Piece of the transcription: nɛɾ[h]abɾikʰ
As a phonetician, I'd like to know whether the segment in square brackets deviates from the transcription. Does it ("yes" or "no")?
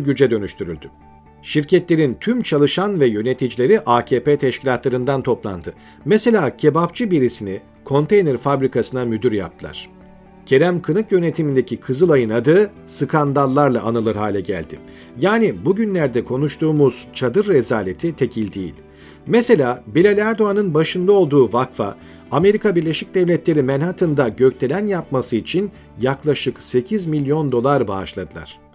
yes